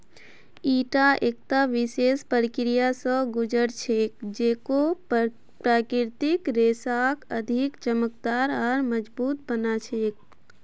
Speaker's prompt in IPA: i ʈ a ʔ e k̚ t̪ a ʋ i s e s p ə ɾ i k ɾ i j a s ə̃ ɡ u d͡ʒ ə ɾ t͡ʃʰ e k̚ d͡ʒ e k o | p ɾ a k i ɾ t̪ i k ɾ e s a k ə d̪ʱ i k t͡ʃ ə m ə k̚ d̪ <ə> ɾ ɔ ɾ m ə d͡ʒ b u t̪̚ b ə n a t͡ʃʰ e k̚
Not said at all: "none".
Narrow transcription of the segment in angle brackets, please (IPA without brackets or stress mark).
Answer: a